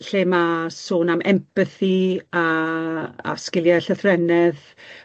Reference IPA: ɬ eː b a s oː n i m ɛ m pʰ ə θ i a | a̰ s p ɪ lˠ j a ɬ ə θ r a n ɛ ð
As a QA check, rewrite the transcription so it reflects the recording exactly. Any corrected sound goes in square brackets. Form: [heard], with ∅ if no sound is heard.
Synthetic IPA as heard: ɬ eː [m] a s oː n [a] m ɛ m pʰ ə θ i a | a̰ s [k] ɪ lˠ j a ɬ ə θ r [ɛ] n ɛ ð